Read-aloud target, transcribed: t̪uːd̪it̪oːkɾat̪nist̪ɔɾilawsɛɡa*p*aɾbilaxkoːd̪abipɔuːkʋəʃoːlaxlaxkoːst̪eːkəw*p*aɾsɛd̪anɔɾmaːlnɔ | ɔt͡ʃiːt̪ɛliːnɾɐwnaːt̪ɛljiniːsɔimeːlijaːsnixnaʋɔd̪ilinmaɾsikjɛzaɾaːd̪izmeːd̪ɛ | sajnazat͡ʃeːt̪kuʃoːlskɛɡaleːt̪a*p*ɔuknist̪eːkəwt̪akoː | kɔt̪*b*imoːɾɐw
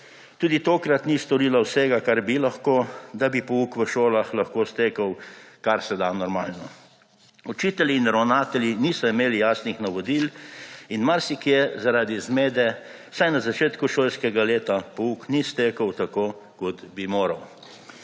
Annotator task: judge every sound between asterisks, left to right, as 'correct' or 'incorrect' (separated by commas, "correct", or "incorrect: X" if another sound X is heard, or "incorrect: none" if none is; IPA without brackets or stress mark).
incorrect: k, incorrect: k, correct, correct